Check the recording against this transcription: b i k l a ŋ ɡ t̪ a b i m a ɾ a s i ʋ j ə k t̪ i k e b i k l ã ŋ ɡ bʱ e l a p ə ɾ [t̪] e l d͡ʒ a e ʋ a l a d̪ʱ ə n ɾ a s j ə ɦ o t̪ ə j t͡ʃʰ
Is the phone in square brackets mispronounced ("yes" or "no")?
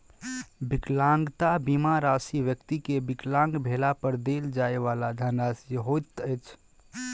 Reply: yes